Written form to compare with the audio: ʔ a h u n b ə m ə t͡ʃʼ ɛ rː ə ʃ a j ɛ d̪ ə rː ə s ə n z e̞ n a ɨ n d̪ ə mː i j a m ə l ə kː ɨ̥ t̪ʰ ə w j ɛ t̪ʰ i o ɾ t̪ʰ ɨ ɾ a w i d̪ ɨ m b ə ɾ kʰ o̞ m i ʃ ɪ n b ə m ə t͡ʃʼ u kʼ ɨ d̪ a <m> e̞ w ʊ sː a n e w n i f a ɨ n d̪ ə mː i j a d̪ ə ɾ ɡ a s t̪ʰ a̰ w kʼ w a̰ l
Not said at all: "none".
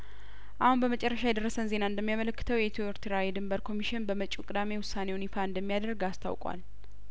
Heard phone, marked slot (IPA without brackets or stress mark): m